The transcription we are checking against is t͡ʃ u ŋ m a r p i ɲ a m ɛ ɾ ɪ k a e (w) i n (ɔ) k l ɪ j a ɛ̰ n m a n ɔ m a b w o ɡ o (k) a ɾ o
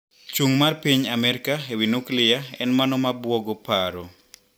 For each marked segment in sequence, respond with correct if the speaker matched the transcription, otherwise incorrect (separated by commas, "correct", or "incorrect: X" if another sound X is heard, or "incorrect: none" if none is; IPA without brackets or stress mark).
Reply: correct, incorrect: u, incorrect: p